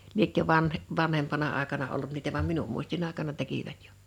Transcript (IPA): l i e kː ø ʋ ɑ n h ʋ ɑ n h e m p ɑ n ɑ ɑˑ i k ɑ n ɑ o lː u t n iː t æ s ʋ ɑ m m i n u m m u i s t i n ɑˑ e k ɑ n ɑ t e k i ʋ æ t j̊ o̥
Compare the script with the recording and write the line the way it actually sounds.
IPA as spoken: l i e kː ø ʋ ɑ n h ʋ ɑ n h e m p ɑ n ɑ ɑˑ e k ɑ n ɑ o lː u t n iː t æ ʋ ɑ m m i n u m m u i s t i n ɑˑ e k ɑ n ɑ t e k i ʋ æ t j̊ o̥